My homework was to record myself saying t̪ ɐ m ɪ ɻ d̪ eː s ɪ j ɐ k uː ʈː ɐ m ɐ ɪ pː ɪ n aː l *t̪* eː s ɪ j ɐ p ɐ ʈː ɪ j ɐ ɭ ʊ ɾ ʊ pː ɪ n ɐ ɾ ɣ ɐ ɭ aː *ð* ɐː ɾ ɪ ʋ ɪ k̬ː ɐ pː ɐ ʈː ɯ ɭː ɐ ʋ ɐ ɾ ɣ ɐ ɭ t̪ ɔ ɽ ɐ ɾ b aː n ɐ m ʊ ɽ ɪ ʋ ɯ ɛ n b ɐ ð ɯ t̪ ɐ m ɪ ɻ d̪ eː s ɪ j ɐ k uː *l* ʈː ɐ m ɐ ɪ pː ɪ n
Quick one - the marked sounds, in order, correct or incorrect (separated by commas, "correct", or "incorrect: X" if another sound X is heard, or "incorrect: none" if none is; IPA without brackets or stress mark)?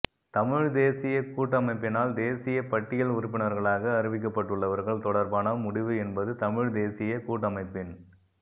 incorrect: d̪, incorrect: ɣ, incorrect: none